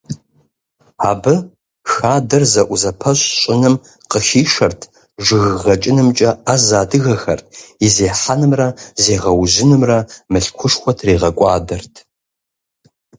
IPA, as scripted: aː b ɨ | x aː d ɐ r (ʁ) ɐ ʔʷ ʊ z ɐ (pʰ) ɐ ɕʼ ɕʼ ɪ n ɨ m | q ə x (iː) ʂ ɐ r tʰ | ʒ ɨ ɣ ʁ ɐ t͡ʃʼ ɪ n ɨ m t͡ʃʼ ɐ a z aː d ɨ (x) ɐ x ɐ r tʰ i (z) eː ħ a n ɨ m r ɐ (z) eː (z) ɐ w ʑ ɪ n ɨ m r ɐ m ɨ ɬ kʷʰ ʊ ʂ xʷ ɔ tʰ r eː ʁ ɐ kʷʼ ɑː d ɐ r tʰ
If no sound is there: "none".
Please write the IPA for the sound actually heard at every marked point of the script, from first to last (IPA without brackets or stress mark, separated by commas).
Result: z, pʰ, iː, ɣ, z, z, ʁ